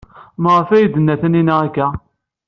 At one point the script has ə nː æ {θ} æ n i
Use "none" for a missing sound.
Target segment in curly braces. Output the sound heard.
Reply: θ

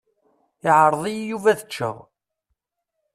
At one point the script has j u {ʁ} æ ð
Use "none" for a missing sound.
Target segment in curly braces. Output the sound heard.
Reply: v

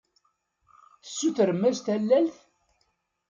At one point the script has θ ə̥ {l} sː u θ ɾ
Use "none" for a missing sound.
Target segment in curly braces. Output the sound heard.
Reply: none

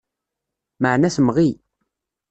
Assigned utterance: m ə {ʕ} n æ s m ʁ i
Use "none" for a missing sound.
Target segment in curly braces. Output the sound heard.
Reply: ʕ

